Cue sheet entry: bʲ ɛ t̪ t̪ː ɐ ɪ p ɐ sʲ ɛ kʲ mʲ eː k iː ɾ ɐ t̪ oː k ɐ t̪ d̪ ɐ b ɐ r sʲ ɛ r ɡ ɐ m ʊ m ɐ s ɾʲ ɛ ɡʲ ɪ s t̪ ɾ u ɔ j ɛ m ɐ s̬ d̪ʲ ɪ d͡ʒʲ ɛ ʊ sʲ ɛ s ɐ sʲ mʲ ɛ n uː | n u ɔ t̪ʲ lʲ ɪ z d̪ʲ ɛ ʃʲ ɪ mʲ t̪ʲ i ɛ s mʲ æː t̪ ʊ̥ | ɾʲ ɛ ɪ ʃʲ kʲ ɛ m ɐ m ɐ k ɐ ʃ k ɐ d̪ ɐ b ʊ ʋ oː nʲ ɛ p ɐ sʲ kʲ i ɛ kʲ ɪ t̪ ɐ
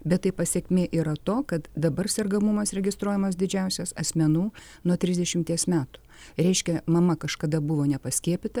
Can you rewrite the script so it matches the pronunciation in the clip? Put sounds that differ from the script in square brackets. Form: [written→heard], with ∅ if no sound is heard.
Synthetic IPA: bʲ ɛ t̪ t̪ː ɐ ɪ p ɐ sʲ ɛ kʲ mʲ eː [k→ʔ] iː ɾ ɐ t̪ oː k ɐ t̪ d̪ ɐ b ɐ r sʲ ɛ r ɡ ɐ m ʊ m ɐ s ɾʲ ɛ ɡʲ ɪ s t̪ ɾ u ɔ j ɛ m ɐ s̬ d̪ʲ ɪ d͡ʒʲ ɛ ʊ sʲ ɛ s ɐ sʲ mʲ ɛ n uː | n u ɔ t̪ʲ [lʲ→ɾʲ] ɪ z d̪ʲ ɛ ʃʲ ɪ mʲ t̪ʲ i ɛ s mʲ æː t̪ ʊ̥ | ɾʲ ɛ ɪ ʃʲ kʲ ɛ m ɐ m ɐ k ɐ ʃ k ɐ d̪ ɐ b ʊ ʋ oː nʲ ɛ p ɐ sʲ kʲ i ɛ [kʲ→pʲ] ɪ t̪ ɐ